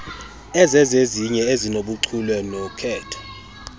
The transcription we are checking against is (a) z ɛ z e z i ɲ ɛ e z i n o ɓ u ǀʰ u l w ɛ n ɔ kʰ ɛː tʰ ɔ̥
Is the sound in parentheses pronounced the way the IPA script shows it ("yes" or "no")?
no